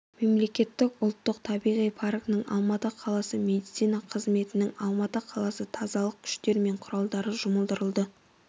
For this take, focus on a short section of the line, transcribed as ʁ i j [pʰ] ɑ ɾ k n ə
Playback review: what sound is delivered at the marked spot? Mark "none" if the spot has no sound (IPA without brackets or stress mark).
pʰ